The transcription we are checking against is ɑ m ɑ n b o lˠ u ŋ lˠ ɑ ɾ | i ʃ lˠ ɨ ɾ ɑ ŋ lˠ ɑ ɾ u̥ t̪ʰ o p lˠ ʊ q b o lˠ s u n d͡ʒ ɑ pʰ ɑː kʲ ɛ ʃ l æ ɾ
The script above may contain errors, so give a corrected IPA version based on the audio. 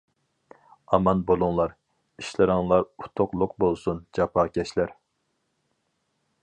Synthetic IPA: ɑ m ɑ n b o lˠ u ŋ lˠ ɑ ɾ | i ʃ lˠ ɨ ɾ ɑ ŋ lˠ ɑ ɾ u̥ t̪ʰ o q lˠ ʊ q b o lˠ s u n d͡ʒ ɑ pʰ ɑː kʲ ɛ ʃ l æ ɾ